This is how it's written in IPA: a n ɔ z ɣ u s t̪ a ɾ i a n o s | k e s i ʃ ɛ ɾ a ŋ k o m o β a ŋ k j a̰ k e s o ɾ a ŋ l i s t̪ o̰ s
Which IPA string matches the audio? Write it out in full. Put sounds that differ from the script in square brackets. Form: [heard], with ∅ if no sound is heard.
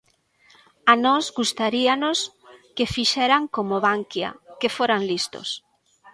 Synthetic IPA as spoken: a n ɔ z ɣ u s t̪ a ɾ i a n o s | k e [f] i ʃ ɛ ɾ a ŋ k o m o β a ŋ k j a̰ k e [f] o ɾ a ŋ l i s t̪ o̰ s